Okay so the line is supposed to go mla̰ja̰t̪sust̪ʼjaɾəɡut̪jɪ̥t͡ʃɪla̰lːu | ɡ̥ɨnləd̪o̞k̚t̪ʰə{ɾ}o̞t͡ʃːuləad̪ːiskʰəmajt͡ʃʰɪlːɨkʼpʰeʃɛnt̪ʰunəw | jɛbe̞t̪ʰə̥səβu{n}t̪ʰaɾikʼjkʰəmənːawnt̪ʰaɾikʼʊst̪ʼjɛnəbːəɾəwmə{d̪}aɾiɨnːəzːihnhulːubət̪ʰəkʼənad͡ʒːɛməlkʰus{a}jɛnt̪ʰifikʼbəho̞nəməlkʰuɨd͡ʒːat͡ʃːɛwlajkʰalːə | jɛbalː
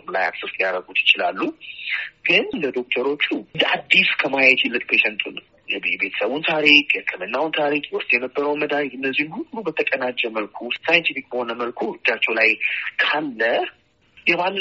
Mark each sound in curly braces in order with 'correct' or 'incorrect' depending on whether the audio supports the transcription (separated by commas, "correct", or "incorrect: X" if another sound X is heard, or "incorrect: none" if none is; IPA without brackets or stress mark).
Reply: correct, correct, correct, correct